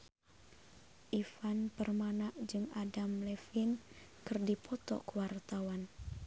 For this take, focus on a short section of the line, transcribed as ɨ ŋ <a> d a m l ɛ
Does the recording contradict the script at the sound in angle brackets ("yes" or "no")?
no